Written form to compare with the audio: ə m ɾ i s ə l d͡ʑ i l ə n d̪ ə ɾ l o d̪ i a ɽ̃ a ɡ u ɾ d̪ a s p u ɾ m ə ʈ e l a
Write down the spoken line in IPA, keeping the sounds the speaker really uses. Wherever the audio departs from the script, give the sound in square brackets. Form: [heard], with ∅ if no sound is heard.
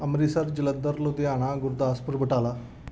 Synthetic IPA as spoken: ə m ɾ i s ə [ɾ] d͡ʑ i l ə n d̪ ə ɾ l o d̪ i a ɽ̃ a ɡ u ɾ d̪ a s p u ɾ [b] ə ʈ [a] l a